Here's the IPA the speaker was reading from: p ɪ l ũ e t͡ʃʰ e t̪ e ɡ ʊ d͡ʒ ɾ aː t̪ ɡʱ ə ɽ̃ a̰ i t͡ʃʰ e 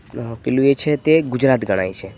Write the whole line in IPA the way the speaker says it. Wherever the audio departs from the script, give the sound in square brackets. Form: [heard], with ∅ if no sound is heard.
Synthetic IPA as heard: p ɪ l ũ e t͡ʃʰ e t̪ e ɡ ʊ d͡ʒ ɾ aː t̪ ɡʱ ə ɽ̃ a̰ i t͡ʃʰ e